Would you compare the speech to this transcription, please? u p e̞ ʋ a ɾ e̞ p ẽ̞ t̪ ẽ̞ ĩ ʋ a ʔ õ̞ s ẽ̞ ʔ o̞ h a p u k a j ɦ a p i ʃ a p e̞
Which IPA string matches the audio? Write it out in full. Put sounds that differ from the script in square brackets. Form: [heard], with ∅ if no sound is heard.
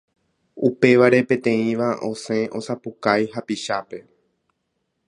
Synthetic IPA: u p e̞ ʋ a ɾ e̞ p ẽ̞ t̪ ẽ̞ ĩ ʋ a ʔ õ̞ s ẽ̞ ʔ o̞ [s] a p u k a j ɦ a p i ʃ a p e̞